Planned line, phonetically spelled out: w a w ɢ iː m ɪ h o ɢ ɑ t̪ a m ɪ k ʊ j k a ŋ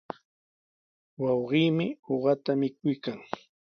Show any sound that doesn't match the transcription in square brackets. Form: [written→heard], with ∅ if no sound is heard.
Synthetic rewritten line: w [a→ɑ] w ɢ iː m ɪ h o ɢ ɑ t̪ a m ɪ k ʊ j k a ŋ